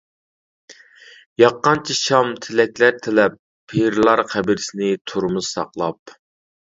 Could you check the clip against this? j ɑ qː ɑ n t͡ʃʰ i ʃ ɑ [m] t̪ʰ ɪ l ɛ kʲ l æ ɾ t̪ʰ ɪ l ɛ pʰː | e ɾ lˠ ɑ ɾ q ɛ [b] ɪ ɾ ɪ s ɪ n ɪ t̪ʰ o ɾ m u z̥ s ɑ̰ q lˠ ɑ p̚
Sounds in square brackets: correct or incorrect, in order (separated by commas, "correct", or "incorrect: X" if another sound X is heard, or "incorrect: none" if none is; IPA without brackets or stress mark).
correct, correct